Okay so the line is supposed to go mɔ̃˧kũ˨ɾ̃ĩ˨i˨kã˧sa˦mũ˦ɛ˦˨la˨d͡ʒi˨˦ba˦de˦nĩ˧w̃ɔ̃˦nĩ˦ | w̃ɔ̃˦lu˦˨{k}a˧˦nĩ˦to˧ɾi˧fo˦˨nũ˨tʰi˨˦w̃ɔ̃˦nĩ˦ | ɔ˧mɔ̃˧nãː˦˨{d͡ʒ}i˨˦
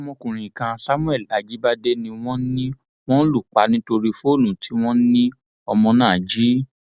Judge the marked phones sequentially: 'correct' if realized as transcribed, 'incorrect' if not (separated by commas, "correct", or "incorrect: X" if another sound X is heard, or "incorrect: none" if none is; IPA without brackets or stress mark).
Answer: incorrect: k͡p, correct